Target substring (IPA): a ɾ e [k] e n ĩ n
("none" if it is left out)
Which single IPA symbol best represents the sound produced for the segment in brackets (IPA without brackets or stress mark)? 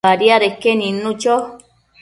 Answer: k